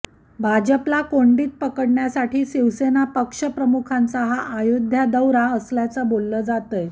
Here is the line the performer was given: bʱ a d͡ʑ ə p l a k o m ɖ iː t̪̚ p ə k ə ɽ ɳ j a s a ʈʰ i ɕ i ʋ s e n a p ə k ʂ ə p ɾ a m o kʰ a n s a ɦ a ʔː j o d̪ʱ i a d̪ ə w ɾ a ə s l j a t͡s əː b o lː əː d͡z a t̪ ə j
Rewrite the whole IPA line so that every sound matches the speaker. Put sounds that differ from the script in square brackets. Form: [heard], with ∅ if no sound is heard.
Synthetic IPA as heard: bʱ a d͡ʑ ə p l a k o [ɳ] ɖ iː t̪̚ p ə k ə ɽ ɳ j a s a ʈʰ [iː] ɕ i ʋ s e n a p ə k ʂ ə p ɾ [ə] m [u] kʰ a n [t͡s] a ɦ a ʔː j o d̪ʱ [j] a d̪ ə w ɾ a ə s l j a t͡s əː b o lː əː d͡z a t̪ ə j